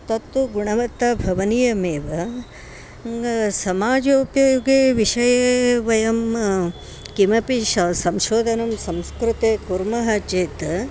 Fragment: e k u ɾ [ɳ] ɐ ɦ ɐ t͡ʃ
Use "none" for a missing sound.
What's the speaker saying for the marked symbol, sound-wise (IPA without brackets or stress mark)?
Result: m